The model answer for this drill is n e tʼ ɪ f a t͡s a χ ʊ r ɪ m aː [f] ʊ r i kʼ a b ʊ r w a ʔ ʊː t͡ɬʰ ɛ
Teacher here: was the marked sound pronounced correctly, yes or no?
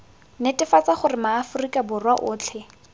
yes